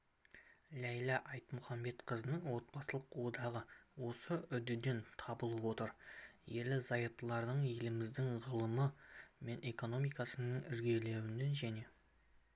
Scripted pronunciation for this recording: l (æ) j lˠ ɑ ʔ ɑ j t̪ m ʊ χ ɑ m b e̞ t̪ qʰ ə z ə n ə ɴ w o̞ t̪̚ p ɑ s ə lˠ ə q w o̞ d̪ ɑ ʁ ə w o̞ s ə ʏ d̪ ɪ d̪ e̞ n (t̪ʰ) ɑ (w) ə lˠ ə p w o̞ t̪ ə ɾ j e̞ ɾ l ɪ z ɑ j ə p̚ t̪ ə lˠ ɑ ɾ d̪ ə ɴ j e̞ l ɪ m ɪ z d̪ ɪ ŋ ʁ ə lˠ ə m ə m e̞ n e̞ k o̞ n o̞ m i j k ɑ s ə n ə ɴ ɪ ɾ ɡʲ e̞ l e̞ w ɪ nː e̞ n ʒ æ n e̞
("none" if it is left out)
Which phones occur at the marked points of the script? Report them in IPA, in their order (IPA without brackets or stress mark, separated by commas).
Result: æ, t̪ʰ, b